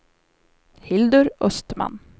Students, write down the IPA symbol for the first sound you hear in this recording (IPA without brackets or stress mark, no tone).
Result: h